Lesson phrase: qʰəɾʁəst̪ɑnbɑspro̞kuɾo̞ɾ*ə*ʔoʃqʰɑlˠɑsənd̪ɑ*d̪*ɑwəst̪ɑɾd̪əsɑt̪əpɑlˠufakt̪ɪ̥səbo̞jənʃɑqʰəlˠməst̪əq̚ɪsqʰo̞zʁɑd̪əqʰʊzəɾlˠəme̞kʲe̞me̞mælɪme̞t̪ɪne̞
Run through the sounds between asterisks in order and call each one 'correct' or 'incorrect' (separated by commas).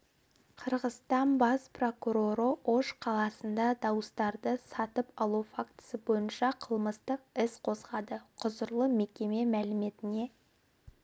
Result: correct, correct